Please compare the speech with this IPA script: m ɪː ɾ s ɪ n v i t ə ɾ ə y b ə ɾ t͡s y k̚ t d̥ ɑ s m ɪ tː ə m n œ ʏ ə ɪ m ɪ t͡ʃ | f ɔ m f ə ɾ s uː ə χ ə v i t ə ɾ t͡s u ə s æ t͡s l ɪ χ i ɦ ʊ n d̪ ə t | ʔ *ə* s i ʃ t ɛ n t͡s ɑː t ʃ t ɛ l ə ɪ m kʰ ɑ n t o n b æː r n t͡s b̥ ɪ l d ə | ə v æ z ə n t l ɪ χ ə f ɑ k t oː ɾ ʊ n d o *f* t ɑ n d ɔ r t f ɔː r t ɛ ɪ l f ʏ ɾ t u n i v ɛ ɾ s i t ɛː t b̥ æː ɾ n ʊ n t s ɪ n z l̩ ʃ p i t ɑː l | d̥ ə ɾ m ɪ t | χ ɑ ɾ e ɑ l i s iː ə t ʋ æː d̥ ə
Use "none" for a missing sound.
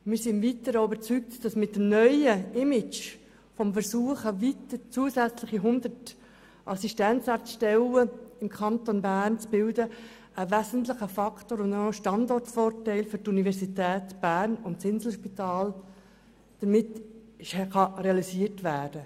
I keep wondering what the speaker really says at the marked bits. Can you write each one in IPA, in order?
ɑ, ʃ

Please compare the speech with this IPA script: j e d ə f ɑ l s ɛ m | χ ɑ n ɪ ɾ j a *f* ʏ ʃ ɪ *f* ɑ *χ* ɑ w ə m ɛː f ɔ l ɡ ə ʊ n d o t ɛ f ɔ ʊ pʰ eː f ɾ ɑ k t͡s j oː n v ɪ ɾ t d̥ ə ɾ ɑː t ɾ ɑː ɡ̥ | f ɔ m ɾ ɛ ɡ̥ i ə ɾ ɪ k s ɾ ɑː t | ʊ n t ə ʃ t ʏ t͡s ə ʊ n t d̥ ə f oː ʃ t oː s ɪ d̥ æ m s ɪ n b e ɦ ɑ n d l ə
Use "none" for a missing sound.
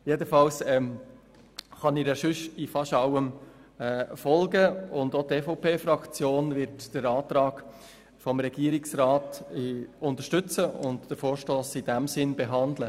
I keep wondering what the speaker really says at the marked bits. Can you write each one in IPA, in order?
ʃ, f, ʃ

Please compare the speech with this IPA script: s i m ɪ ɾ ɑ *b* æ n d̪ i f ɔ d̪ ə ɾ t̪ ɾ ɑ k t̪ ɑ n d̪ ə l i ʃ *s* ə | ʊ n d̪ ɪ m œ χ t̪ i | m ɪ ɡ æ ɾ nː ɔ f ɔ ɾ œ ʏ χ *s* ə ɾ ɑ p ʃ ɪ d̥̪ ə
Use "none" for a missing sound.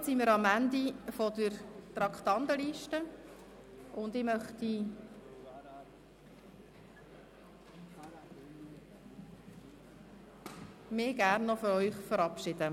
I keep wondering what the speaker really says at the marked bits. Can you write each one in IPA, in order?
m, t, f

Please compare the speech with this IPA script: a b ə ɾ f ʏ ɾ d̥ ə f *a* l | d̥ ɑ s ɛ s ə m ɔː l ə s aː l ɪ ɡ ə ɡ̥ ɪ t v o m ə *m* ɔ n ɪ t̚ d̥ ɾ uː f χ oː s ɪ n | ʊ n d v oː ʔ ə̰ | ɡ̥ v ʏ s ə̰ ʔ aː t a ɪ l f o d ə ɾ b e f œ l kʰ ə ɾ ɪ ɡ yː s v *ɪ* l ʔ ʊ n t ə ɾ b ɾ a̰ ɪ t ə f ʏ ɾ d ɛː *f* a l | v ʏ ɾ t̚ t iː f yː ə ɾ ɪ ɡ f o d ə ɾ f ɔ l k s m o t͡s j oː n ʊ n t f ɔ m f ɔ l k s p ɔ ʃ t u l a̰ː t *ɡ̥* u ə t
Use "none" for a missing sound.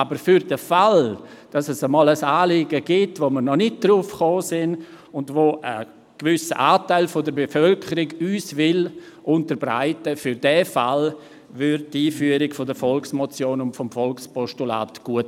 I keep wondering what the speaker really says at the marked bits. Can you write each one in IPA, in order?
a, n, ɪ, f, ɡ̥

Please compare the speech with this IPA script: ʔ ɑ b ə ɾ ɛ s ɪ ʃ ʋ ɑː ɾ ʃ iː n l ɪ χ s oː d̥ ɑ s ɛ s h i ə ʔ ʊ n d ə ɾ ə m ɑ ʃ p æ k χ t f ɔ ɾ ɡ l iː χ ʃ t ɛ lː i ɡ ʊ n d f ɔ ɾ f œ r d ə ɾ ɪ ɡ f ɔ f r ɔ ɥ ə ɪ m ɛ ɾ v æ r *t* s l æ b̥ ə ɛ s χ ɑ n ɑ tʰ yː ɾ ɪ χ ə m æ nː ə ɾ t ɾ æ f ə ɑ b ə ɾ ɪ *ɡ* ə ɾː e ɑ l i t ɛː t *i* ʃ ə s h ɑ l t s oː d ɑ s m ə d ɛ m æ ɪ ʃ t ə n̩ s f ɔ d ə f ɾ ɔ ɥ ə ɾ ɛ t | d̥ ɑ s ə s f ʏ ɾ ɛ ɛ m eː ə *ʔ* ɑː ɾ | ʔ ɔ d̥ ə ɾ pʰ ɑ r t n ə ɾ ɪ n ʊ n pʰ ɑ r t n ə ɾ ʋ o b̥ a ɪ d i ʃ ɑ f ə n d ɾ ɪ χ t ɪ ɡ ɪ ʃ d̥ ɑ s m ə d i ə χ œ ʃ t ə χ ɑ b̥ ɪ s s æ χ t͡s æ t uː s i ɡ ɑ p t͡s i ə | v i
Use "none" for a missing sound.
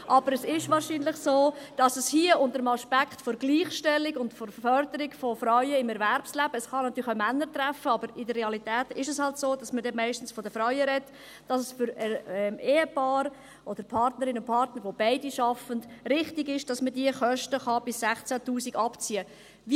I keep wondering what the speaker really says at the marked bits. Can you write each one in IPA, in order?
p, d, ɪ, p

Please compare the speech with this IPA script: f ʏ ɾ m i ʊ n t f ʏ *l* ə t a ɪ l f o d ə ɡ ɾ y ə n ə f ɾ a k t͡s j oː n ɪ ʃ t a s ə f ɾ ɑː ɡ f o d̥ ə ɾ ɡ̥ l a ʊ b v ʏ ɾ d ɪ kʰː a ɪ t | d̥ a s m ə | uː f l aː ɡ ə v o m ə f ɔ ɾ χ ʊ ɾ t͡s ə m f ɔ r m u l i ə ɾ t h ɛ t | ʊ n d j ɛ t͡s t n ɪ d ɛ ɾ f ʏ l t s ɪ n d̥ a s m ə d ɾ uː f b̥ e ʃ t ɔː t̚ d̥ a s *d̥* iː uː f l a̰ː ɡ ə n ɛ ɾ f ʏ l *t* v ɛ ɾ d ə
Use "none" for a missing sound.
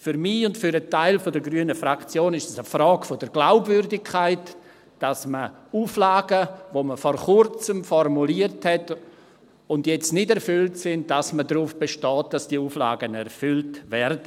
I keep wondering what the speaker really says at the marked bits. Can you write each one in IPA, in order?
ɾ, d̥, t

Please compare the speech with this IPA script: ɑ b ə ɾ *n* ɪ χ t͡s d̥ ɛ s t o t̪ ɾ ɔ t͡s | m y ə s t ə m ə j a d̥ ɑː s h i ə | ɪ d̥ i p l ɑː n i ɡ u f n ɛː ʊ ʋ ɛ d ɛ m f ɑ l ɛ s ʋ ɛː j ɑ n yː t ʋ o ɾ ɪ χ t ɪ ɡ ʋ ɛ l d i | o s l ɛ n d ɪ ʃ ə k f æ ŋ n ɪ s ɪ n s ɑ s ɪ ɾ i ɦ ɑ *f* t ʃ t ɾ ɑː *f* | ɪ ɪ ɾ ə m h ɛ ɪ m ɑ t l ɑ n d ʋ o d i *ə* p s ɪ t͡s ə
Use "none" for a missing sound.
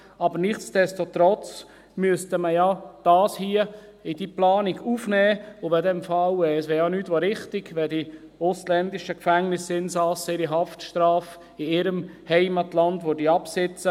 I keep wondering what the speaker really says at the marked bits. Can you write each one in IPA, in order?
n, f, f, ɑ

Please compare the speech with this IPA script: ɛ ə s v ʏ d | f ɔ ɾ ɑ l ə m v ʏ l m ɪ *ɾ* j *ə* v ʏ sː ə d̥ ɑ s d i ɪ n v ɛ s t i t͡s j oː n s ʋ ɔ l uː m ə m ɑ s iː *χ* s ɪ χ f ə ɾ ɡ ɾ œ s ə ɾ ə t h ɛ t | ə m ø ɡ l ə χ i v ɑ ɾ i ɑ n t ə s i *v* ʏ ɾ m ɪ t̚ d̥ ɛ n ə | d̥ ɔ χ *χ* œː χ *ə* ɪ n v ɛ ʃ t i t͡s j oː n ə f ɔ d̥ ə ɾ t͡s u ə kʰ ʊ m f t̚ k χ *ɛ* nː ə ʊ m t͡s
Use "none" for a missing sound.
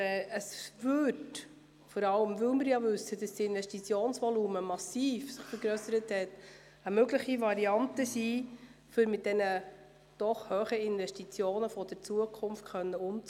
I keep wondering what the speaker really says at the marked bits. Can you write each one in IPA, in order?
ɾ, ɑ, f, f, h, ə, œ

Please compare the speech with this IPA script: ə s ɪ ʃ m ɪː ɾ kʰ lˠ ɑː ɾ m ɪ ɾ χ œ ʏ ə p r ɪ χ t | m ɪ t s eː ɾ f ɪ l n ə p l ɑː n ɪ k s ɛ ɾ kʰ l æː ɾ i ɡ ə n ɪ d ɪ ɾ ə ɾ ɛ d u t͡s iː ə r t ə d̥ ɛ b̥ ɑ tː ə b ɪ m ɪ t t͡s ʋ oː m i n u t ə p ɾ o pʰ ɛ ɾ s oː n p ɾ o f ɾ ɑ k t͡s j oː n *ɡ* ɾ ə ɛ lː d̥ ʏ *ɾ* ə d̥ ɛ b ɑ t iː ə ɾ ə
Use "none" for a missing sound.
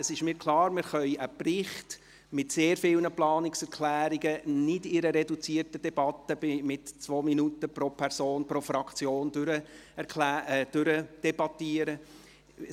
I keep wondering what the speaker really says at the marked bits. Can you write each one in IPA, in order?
d, ɾ

